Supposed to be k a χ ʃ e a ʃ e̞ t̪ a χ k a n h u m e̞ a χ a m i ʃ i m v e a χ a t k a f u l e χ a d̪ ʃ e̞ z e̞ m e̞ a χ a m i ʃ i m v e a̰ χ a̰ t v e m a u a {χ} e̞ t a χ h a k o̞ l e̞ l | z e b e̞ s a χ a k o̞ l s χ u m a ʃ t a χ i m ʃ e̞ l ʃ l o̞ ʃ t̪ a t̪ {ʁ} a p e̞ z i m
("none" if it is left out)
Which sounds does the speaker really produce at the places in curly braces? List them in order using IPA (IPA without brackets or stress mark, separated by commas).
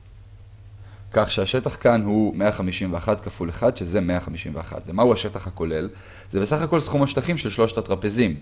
ʃ, ʁ